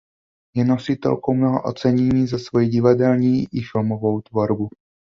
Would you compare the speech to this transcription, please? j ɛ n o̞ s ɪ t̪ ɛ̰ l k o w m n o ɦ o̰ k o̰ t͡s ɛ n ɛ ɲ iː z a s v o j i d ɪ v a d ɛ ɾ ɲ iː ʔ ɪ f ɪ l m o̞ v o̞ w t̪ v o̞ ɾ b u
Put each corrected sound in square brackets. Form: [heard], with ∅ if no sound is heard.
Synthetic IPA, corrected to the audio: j ɛ n o̞ s ɪ t̪ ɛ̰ l k o w m n o ɦ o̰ [ʔ] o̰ t͡s ɛ [ɲ] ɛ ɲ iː z a s v o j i [ɟ] ɪ v a d ɛ [l] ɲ iː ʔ ɪ f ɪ l m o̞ v o̞ w t̪ v o̞ ɾ b u